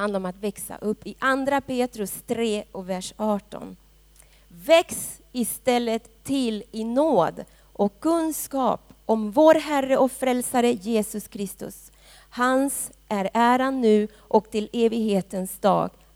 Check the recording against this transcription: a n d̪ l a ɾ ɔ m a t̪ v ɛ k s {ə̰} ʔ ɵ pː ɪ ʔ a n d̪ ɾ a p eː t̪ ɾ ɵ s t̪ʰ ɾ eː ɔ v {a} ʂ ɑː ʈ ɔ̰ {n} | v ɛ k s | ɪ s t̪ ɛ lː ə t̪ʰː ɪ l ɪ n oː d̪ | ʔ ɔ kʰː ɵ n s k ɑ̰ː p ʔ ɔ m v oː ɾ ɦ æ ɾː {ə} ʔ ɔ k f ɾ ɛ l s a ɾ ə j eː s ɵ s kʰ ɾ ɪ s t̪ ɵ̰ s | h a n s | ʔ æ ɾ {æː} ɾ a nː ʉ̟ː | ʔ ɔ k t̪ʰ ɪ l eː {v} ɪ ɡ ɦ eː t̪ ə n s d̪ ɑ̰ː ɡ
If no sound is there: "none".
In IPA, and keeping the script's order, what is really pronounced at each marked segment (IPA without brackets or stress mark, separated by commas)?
a̰, æ, n, ə, æː, v